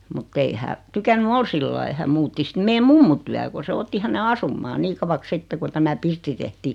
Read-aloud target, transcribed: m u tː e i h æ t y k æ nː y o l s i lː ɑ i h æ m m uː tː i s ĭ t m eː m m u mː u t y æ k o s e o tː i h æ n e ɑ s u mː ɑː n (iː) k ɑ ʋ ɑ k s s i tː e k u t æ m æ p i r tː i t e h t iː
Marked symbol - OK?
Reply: yes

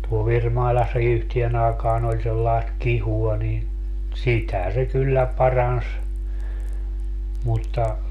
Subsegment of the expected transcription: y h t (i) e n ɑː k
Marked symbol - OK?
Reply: yes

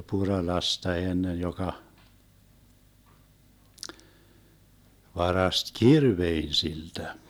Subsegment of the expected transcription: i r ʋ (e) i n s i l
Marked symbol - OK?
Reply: yes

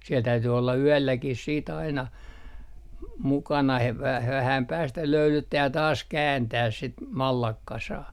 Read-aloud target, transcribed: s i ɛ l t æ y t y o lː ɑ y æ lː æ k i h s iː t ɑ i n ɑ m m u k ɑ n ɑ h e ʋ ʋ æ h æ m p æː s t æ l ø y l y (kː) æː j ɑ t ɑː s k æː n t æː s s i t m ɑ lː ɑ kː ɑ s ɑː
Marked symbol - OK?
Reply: no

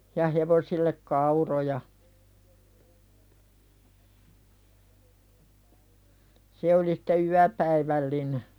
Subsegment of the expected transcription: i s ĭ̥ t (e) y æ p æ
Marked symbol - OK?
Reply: yes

